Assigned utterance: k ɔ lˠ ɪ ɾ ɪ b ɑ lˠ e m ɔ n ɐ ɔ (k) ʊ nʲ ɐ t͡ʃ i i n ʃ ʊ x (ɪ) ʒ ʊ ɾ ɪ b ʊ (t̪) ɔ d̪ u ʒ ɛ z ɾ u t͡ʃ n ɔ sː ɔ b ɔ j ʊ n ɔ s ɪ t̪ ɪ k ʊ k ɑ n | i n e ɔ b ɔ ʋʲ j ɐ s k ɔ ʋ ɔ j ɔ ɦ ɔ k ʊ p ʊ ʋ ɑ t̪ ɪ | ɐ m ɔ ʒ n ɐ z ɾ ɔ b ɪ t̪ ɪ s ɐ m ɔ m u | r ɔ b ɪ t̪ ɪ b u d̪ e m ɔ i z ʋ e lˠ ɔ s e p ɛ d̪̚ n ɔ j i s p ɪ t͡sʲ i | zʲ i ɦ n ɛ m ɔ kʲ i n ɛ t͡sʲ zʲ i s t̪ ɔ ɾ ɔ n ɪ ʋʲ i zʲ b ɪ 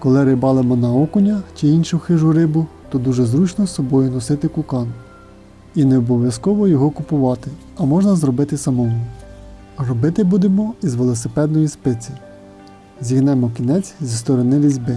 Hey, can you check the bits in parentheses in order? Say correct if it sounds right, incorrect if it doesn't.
correct, correct, correct

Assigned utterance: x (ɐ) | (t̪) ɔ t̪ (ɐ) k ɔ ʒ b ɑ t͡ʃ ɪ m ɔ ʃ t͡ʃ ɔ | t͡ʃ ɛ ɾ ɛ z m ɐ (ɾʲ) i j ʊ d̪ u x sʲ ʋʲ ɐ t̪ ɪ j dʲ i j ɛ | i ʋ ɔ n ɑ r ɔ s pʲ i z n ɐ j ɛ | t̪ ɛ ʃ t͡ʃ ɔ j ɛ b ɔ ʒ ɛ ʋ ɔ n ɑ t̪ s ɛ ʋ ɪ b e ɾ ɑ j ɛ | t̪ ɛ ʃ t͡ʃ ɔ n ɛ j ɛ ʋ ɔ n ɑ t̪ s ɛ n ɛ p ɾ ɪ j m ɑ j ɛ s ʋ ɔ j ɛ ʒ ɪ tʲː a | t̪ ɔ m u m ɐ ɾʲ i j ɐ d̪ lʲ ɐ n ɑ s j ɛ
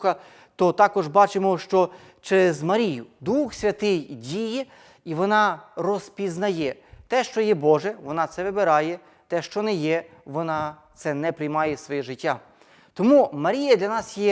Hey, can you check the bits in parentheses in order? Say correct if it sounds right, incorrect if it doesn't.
correct, correct, incorrect: ɑ, correct

